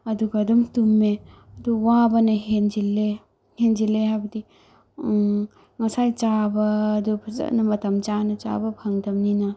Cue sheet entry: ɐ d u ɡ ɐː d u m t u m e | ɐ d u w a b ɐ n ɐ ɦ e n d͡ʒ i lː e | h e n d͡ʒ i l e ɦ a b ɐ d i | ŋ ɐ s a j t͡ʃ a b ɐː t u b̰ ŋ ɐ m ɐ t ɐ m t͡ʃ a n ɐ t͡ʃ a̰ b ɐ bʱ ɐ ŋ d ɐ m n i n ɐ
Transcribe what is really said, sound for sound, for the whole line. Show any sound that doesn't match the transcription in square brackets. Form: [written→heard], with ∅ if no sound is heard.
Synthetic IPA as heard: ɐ d u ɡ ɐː d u m t u m e | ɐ d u w a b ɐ n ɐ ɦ e n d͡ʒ i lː e | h e n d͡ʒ i l e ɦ a b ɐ d i | ŋ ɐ s a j t͡ʃ a b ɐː [t→d] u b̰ [ŋ→n] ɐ m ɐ t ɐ m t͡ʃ a n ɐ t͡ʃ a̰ b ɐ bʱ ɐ ŋ d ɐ m n i n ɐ